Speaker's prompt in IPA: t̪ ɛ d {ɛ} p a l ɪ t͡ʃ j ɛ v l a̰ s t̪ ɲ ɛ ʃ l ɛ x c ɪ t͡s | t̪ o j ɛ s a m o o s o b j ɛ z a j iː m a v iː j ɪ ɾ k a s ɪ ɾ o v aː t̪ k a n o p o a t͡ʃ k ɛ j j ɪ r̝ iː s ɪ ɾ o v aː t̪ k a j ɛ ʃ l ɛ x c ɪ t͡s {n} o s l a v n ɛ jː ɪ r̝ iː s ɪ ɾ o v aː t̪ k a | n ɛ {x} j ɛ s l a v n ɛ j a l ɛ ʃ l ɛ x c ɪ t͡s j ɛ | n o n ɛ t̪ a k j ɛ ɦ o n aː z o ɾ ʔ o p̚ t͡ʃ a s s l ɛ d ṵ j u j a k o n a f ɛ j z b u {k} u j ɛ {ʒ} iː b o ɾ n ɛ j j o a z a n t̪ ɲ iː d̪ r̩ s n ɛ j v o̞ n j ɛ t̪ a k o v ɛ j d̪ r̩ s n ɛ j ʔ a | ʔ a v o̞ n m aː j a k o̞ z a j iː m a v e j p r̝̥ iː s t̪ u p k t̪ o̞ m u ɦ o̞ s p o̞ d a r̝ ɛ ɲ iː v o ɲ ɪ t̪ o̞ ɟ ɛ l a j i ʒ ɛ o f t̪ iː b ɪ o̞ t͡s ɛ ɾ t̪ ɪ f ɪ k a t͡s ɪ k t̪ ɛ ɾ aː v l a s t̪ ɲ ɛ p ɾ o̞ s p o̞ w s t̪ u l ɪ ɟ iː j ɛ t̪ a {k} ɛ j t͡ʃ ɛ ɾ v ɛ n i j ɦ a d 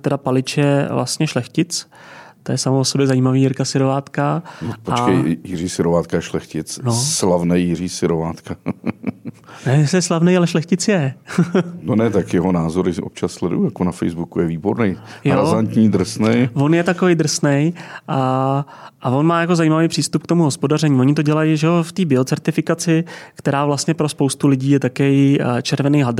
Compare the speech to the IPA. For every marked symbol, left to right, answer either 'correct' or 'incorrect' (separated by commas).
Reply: incorrect, correct, incorrect, correct, incorrect, correct